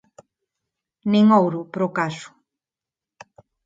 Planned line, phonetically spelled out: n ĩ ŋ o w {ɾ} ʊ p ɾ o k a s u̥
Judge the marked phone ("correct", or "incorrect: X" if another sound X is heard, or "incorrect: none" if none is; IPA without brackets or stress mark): correct